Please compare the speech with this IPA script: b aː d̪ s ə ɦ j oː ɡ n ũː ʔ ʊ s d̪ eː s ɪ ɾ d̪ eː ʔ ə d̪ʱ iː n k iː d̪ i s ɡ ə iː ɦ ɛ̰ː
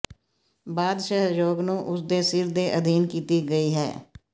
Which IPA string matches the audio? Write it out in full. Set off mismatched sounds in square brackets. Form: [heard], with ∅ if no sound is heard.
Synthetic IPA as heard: b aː d̪ [ʃ] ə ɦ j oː ɡ n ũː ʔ ʊ s d̪ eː s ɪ ɾ d̪ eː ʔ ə d̪ʱ iː n k iː [t̪] i [∅] ɡ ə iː ɦ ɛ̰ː